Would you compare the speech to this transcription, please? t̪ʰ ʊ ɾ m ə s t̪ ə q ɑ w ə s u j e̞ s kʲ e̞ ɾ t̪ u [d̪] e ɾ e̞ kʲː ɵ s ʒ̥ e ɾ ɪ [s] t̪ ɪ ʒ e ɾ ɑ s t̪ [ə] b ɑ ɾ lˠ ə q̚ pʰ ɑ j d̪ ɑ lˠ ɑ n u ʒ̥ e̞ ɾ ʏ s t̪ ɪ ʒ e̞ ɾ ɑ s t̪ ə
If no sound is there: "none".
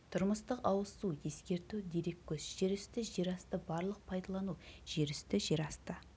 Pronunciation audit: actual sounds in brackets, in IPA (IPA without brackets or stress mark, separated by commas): d̪, s, ə